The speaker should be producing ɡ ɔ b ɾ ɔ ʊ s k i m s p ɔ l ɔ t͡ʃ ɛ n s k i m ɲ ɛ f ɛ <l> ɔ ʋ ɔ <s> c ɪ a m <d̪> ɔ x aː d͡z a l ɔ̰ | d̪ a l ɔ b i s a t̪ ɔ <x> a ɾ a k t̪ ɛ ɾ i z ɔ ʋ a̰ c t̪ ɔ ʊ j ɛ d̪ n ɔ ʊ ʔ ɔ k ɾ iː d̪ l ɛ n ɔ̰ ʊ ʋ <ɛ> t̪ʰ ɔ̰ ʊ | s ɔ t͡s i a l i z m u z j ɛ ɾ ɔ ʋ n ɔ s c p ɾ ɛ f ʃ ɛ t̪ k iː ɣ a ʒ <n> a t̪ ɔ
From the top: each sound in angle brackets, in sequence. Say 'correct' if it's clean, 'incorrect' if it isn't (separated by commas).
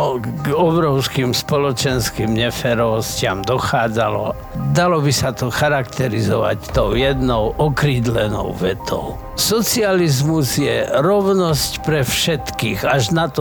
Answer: incorrect, correct, correct, correct, correct, correct